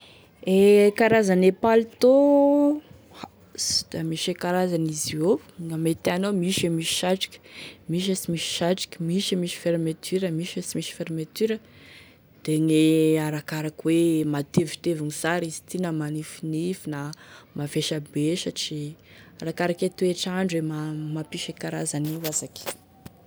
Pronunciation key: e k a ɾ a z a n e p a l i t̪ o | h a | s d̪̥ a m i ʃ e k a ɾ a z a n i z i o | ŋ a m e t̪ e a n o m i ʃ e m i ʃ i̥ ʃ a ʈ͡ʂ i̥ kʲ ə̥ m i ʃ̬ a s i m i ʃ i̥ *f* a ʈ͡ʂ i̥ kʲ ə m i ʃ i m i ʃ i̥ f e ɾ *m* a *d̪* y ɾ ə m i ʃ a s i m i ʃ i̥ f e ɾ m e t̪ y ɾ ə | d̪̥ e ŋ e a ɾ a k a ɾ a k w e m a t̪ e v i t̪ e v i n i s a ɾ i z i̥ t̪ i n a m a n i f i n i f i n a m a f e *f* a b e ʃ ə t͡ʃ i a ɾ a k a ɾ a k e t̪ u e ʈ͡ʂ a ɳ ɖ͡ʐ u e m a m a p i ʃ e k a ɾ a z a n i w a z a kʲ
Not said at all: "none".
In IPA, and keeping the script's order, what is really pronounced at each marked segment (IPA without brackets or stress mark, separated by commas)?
ʃ, m, t̪, ʃ